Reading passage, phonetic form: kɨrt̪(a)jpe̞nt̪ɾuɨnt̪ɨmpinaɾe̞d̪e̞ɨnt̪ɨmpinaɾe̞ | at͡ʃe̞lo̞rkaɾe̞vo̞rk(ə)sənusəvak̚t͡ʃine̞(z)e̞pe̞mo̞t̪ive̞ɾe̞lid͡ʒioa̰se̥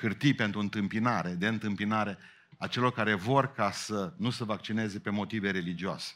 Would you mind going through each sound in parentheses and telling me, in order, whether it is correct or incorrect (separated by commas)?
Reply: incorrect, incorrect, correct